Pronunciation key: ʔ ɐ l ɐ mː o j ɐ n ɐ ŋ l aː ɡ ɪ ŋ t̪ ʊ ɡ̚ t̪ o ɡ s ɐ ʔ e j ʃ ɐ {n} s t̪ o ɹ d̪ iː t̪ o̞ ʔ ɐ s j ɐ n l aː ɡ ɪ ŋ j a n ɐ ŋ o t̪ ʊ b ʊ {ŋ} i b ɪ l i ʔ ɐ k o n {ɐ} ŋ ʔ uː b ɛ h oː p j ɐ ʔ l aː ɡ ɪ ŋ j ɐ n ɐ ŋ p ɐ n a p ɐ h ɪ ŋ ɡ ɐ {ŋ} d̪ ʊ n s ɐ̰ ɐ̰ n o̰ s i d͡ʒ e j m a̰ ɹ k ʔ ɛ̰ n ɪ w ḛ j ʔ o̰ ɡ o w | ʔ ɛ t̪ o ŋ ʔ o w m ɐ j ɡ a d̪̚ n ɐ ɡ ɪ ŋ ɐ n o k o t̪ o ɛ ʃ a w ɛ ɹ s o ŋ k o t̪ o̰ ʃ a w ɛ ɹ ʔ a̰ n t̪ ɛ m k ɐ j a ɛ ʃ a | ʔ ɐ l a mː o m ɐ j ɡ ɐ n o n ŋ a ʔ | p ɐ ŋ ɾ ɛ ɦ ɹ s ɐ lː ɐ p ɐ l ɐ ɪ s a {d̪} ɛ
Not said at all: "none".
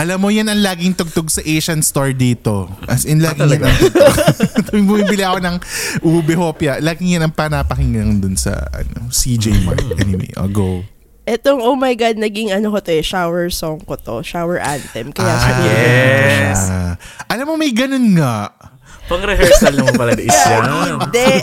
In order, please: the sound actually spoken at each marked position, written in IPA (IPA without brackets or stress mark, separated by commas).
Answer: n, m, ɐ, ŋ, d̪